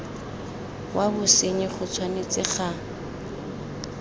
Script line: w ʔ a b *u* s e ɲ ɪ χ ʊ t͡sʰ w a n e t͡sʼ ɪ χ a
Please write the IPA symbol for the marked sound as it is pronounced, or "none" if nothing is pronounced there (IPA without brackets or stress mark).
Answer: ʊ